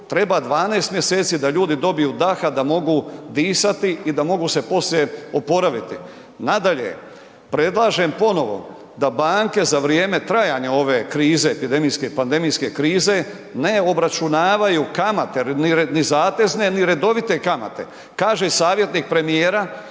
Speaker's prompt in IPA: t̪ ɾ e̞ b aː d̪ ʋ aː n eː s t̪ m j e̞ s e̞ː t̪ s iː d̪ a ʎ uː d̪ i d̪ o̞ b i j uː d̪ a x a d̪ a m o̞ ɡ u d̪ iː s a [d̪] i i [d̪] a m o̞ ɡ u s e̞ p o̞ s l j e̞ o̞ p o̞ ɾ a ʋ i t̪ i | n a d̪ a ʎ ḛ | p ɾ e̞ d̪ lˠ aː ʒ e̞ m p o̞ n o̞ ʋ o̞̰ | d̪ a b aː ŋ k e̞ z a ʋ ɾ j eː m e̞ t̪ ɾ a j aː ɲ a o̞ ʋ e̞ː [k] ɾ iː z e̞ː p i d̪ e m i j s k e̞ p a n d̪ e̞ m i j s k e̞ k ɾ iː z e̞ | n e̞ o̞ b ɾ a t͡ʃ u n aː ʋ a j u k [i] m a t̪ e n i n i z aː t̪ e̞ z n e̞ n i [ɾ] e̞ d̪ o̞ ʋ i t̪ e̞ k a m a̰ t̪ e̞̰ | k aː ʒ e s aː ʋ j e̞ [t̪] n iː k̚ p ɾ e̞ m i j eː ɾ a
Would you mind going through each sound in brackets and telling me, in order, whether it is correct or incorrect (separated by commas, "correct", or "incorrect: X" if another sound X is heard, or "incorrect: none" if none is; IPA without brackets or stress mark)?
incorrect: t̪, correct, correct, incorrect: a, correct, correct